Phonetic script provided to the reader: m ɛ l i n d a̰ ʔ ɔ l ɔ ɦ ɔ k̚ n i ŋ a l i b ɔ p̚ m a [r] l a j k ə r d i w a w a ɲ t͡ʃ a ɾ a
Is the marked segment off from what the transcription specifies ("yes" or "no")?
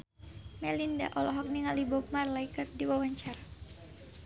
no